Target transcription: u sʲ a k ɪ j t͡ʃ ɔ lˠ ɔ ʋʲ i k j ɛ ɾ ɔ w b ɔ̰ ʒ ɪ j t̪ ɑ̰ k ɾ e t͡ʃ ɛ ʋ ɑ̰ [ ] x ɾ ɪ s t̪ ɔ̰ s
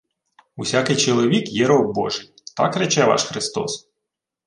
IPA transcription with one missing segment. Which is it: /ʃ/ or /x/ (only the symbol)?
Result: ʃ